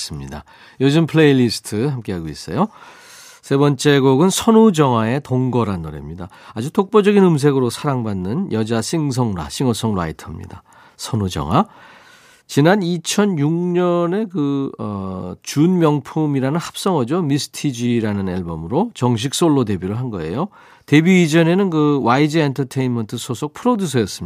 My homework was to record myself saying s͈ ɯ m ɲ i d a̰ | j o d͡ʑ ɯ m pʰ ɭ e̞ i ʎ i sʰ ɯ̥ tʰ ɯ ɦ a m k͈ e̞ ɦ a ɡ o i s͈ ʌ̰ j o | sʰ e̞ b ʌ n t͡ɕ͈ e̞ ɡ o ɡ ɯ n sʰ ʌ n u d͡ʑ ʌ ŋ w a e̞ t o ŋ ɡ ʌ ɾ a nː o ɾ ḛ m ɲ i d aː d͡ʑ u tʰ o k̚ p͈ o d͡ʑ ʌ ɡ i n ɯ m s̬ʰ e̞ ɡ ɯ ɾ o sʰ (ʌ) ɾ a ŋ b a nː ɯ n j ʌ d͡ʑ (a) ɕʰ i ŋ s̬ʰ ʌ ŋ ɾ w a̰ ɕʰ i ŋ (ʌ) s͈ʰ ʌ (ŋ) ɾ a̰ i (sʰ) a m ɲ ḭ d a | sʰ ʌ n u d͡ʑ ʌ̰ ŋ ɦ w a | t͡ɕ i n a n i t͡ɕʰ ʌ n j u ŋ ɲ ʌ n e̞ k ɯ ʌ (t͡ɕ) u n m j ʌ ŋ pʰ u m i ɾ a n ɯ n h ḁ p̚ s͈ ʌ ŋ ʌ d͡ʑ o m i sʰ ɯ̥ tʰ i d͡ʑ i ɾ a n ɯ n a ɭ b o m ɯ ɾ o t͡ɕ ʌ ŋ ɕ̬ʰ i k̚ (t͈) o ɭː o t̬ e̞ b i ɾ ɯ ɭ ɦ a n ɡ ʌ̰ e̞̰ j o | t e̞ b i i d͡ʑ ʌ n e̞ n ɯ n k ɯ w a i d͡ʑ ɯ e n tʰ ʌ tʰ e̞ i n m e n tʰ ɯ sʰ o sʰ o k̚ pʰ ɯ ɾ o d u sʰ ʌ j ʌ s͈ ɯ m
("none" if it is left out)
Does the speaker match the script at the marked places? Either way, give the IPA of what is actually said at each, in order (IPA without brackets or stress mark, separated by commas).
a, a, ʌ, ŋ, tʰ, t͡ɕ, s͈